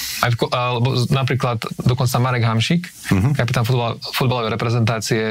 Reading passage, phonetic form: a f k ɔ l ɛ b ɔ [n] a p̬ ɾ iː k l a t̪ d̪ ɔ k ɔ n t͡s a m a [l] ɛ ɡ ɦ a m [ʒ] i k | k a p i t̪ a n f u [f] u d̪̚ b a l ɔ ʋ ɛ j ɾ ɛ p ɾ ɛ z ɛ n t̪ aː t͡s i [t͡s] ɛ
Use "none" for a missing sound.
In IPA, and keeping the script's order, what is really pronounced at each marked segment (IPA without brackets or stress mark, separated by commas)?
n, ɾ, ʃ, f, none